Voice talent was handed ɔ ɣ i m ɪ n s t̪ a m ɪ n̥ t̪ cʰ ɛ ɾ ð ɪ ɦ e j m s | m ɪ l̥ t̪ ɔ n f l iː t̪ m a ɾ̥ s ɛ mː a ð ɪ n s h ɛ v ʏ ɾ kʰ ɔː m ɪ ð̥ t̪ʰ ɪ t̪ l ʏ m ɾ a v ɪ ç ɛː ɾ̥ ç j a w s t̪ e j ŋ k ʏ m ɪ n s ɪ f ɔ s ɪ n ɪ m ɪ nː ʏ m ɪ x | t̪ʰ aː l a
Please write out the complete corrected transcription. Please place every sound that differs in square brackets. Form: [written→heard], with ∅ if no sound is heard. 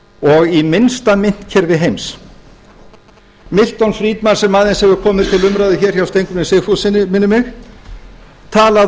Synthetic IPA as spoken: ɔ ɣ i m ɪ n s t̪ a m ɪ n̥ t̪ cʰ ɛ ɾ [ð→v] ɪ ɦ e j m s | m ɪ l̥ t̪ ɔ n f [l→ɾ] iː t̪ m a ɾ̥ s ɛ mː a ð ɪ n s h ɛ v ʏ ɾ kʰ ɔː m ɪ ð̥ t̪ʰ ɪ [t̪→∅] l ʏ m ɾ a [v→ð] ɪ ç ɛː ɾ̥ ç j a w s t̪ e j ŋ k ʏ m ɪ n s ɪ f [ɔ→u] s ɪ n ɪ m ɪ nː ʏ m ɪ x | t̪ʰ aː l a